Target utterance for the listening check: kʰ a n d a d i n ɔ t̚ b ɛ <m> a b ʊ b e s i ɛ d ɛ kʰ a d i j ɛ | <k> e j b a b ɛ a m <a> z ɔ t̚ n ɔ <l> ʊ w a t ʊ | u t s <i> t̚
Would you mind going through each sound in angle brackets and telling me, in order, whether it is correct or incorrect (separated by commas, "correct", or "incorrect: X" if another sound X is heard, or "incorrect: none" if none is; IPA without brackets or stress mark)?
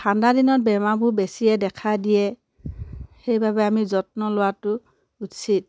correct, incorrect: x, incorrect: i, correct, correct